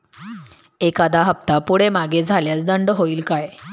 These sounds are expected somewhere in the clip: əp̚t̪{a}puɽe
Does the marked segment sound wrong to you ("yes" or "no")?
no